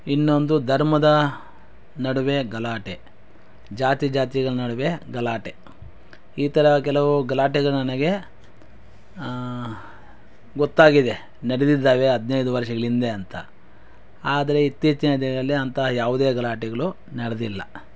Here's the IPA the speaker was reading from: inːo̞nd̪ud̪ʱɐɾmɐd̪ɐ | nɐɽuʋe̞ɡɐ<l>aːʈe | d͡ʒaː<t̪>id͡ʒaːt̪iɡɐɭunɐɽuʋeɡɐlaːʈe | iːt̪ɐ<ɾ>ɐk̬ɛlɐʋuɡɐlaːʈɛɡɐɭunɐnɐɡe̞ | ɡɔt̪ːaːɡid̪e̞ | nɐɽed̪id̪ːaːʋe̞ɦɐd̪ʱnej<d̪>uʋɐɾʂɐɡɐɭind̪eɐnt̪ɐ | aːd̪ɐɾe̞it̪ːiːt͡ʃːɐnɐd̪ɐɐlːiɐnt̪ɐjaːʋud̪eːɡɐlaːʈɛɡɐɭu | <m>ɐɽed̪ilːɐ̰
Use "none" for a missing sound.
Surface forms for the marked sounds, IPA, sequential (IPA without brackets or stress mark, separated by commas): l, t̪, ɾ, d̪, n